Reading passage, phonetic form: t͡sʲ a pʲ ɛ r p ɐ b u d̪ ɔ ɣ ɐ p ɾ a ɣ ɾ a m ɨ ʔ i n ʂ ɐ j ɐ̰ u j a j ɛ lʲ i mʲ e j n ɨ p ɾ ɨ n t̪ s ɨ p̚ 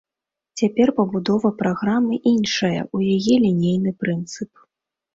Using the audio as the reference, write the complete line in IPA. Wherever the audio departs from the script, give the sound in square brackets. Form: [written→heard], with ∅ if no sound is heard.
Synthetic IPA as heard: t͡sʲ a pʲ ɛ r p ɐ b u d̪ ɔ [ɣ→v] ɐ p ɾ a ɣ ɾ a m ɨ ʔ i n ʂ ɐ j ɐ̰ u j a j ɛ lʲ i [mʲ→nʲ] e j n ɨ p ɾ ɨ n t̪ s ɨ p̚